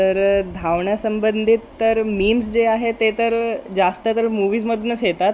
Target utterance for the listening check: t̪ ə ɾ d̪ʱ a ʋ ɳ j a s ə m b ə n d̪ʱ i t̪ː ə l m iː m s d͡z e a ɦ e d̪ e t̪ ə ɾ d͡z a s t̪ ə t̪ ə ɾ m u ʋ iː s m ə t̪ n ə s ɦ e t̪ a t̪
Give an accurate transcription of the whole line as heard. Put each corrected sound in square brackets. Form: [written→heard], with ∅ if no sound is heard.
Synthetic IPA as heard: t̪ ə ɾ d̪ʱ a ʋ ɳ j a s ə m b ə n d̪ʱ i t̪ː ə [l→ɾ] m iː m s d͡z e a ɦ e [d̪→t̪] e t̪ ə ɾ d͡z a s t̪ ə t̪ ə ɾ m u ʋ iː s m ə [t̪→d̪] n ə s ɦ e t̪ a t̪